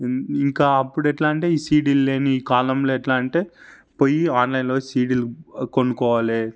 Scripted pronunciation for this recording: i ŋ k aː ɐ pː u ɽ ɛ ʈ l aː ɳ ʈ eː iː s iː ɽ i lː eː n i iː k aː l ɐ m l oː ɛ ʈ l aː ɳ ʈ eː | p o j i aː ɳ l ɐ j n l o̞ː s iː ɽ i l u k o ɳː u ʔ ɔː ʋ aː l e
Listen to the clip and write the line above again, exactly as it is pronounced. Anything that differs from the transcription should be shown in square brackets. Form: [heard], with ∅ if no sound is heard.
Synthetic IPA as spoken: i ŋ k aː ɐ pː u ɽ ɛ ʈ l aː ɳ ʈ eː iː s iː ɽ i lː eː n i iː k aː l ɐ m l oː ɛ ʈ l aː ɳ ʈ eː | p o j i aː [n] l ɐ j n l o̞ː s iː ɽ i l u k o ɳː u [k] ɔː ʋ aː l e

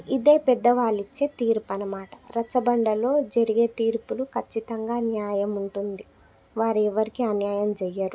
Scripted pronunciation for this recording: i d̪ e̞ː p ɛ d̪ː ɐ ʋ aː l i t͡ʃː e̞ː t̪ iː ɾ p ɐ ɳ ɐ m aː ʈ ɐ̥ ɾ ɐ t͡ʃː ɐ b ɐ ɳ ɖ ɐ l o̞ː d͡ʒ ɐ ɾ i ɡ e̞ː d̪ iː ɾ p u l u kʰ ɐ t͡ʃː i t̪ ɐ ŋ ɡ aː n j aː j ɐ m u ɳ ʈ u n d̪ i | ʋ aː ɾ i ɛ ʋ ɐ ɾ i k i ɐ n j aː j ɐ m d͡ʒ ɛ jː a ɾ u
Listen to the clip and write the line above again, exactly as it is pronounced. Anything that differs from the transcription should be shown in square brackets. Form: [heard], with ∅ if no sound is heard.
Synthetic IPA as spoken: i d̪ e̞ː p ɛ d̪ː ɐ ʋ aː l i t͡ʃː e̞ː t̪ iː ɾ p ɐ [n] ɐ m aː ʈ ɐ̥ ɾ ɐ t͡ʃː ɐ b ɐ ɳ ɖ ɐ l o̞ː d͡ʒ ɐ ɾ i ɡ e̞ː [t̪] iː ɾ p u l u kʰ ɐ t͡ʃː i t̪ ɐ ŋ ɡ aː n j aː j ɐ m u ɳ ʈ u n d̪ i | ʋ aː ɾ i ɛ ʋ ɐ ɾ i k i ɐ n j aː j ɐ m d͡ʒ ɛ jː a ɾ u

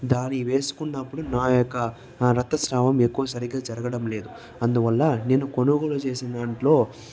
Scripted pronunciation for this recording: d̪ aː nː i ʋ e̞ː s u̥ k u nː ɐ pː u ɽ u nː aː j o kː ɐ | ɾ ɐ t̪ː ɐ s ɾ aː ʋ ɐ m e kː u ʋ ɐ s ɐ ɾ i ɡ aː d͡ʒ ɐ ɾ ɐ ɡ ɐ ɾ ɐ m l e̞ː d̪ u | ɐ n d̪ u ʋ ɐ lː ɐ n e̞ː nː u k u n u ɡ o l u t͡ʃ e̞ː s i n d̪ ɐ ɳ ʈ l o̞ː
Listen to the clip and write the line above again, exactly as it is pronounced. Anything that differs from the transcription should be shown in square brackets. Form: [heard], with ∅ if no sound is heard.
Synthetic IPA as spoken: d̪ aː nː i ʋ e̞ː s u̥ k u nː ɐ pː u ɽ u [n] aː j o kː ɐ | ɾ ɐ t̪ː ɐ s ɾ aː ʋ ɐ m e kː u ʋ ɐ s ɐ ɾ i ɡ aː d͡ʒ ɐ ɾ ɐ ɡ ɐ [ɽ] ɐ m l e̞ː d̪ u | ɐ n d̪ u ʋ ɐ lː ɐ n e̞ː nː u k [o] n u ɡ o l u t͡ʃ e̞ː s i n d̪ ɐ ɳ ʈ l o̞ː

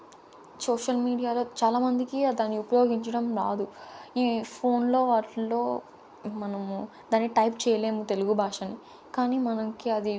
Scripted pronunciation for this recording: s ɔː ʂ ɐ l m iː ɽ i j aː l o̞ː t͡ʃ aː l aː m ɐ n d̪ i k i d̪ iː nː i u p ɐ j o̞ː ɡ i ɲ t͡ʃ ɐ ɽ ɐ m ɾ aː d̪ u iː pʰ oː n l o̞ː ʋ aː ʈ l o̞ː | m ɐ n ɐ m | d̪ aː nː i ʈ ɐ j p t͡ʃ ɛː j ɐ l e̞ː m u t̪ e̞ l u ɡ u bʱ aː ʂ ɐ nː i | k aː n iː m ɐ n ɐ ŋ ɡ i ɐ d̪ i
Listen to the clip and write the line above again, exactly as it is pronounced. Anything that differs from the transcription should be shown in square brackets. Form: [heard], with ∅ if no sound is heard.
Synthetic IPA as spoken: s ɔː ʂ ɐ l m iː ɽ i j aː l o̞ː t͡ʃ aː l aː m ɐ n d̪ i k i d̪ [aː] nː i u p ɐ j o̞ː ɡ i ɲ t͡ʃ ɐ ɽ ɐ m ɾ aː d̪ u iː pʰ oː n l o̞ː ʋ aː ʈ l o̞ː | m ɐ n ɐ m | d̪ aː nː i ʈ ɐ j p t͡ʃ ɛː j ɐ l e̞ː m u t̪ e̞ l u ɡ u bʱ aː ʂ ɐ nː i | k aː n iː m ɐ n ɐ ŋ [k] i ɐ d̪ i

